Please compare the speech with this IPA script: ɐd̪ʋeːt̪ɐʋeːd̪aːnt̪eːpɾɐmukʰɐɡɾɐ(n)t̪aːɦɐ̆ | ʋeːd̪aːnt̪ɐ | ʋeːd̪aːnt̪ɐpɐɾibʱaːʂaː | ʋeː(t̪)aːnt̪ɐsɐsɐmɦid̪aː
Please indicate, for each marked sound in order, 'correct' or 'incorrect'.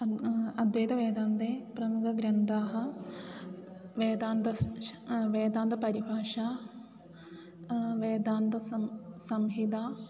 correct, incorrect

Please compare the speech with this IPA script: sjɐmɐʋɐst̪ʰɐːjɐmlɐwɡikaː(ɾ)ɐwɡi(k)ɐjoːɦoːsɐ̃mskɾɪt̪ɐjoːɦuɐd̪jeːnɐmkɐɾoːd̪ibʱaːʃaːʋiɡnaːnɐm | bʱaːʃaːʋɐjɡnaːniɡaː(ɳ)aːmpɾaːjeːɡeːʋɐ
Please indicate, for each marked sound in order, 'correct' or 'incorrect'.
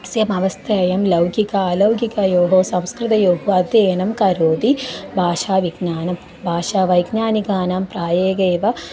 incorrect, correct, incorrect

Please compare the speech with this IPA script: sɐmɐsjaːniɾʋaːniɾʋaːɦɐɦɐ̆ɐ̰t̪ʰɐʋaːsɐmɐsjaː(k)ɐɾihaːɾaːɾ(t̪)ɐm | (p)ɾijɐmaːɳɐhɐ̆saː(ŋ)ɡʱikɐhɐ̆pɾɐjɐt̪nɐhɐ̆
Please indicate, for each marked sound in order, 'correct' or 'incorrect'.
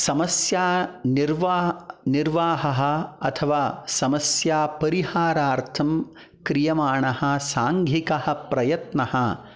incorrect, incorrect, incorrect, correct

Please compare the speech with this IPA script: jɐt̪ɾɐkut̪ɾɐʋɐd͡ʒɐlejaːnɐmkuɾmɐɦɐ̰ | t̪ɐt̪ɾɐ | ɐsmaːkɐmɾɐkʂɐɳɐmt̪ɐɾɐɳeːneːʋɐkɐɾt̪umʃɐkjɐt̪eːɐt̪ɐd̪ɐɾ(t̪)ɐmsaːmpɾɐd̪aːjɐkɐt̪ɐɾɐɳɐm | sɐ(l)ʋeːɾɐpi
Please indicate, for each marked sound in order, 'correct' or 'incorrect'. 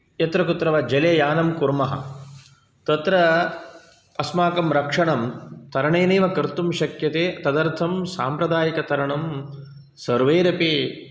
incorrect, incorrect

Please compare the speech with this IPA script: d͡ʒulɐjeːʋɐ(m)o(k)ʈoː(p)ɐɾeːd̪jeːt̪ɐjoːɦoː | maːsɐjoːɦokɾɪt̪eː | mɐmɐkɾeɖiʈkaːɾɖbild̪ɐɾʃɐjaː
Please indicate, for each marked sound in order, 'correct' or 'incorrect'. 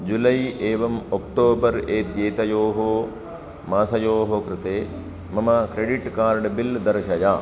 correct, correct, incorrect

